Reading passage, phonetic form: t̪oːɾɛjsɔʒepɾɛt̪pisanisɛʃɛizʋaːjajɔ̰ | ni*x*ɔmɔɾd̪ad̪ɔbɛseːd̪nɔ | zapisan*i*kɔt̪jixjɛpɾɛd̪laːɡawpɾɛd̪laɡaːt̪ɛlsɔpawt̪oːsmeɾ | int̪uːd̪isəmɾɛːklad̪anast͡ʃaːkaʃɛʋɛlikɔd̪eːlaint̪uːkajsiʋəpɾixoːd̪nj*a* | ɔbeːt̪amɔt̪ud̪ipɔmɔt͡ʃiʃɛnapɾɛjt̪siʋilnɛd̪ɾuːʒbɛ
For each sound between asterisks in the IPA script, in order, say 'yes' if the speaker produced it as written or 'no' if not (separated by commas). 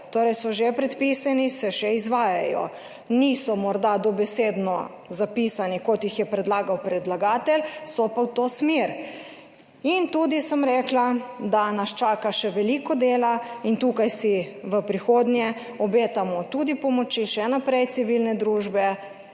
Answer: no, yes, no